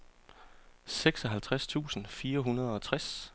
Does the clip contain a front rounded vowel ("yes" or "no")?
no